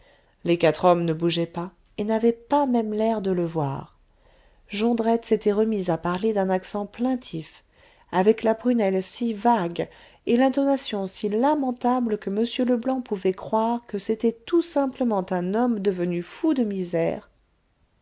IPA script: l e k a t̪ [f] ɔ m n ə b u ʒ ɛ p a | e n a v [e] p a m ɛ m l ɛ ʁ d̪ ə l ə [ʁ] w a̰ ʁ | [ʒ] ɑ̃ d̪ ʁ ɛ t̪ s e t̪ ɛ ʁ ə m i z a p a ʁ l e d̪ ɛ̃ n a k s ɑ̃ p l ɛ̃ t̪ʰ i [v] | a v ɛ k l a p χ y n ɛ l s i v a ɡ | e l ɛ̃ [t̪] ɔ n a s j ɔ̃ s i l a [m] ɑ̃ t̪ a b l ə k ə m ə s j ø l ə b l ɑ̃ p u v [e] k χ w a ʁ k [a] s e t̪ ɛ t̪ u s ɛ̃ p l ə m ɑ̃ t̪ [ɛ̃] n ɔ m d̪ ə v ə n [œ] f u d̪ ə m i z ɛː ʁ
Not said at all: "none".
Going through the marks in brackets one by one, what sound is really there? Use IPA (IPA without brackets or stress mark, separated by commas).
χ, ɛ, v, ʒ, f, t̪, m, ɛ, ə, ɛ̃, y